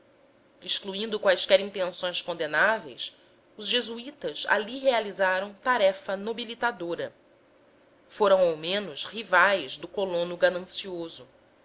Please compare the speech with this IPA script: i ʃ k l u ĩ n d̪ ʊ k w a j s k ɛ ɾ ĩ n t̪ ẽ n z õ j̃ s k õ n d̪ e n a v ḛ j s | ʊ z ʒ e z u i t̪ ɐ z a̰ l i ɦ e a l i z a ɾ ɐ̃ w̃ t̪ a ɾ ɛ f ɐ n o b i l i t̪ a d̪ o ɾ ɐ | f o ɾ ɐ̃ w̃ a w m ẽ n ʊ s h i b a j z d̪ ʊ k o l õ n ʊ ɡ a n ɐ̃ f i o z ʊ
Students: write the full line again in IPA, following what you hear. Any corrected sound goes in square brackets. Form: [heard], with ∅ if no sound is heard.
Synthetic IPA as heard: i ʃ k l u ĩ n d̪ ʊ k w a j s k ɛ ɾ ĩ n t̪ ẽ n [s] õ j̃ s k õ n d̪ e n a v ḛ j s | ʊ z ʒ e z u i t̪ ɐ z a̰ l i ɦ e a l i z a ɾ ɐ̃ w̃ t̪ a ɾ ɛ f ɐ n o b i l i t̪ a d̪ o ɾ ɐ | f o ɾ ɐ̃ w̃ a w m ẽ n ʊ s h i [v] a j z d̪ ʊ k o l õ n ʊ ɡ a n ɐ̃ [s] i o z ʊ